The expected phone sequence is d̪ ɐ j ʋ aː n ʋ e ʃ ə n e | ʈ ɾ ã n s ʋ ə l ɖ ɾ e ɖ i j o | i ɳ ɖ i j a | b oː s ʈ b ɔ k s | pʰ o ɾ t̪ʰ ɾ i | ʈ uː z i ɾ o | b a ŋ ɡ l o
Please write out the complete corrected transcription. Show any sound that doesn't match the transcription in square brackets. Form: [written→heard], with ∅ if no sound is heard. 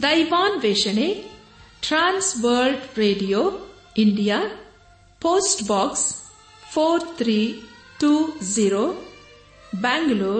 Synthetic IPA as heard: d̪ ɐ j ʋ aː n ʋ e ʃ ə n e | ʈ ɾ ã n s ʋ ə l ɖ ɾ e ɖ i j o | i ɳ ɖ i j a | [b→p] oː s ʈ b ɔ k s | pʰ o ɾ t̪ʰ ɾ i | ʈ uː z i ɾ o | b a ŋ ɡ l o